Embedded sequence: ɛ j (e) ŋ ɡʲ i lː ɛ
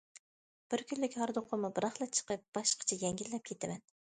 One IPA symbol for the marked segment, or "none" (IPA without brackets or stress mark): ɛ